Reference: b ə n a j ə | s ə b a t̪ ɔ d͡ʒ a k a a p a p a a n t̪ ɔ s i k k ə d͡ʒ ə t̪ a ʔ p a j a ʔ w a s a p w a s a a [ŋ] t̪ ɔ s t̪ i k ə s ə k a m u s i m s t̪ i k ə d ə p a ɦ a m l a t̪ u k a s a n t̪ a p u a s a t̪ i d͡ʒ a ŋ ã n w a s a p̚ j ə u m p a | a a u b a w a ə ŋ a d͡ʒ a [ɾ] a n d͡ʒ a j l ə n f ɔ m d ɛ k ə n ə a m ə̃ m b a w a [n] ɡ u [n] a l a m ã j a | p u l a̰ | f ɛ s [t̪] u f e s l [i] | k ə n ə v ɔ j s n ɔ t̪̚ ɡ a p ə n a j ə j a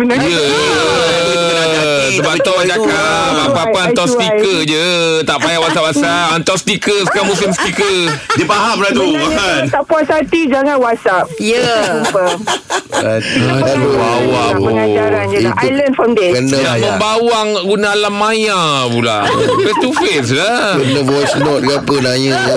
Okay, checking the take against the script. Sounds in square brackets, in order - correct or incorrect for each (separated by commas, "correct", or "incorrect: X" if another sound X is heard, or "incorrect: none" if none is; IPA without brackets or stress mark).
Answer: incorrect: n, correct, incorrect: ŋ, correct, correct, incorrect: a